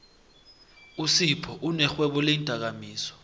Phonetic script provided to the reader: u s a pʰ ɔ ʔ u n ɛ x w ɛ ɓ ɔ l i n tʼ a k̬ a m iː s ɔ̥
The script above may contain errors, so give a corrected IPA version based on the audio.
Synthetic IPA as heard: u s i pʰ ɔ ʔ u n ɛ x w ɛ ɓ ɔ l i n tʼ a k̬ a m iː s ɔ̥

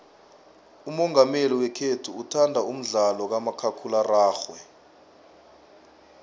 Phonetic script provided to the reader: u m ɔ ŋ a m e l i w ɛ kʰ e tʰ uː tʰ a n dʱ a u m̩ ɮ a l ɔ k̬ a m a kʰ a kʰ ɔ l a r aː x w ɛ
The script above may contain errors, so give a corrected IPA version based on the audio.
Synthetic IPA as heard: u m ɔ ŋ a m e l i w ɛ kʰ e tʰ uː tʰ a n dʱ a u m̩ ɮ a l ɔ k̬ a m a kʰ a kʰ u l a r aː x w ɛ

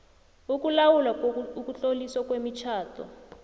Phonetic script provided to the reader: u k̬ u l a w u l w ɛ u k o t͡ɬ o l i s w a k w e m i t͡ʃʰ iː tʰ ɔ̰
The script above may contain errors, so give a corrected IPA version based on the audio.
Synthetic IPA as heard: u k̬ u l a w u l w a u k u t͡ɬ o l i s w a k w e m i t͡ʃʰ aː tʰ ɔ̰

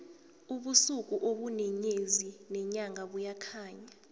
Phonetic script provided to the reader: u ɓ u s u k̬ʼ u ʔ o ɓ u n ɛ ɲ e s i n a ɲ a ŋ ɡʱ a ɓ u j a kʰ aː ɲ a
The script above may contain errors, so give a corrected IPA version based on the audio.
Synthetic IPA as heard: u ɓ u s u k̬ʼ u ʔ o ɓ u n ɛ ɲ e z i n ɛ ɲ a ŋ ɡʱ a ɓ u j a kʰ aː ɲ a

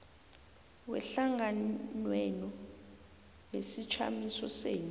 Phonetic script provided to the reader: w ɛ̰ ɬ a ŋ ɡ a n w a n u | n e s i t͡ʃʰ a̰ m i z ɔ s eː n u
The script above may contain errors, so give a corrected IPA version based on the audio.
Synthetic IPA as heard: w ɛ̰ ɬ a ŋ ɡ a n w ɛ n ɔ | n e s i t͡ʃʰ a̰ m i s ɔ s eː n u

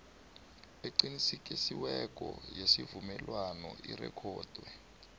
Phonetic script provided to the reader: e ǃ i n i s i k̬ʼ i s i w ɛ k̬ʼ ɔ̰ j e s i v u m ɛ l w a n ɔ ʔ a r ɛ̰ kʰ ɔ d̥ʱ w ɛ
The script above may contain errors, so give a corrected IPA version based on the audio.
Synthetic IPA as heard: e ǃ i n i s i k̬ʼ i s i w ɛ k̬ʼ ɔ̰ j e s i v u m ɛ l w a n ɔ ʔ i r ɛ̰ kʰ ɔː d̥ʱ w ɛ

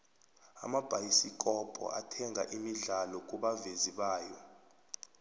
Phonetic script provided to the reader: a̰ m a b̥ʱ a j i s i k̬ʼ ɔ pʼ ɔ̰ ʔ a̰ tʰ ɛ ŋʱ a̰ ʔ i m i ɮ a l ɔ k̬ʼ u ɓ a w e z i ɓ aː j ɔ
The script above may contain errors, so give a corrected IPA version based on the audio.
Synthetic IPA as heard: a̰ m a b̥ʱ a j i s i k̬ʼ ɔ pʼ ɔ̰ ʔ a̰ tʰ ɛ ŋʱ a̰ ʔ i m i ɮ a l ɔ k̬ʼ u ɓ a v e z i ɓ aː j ɔ

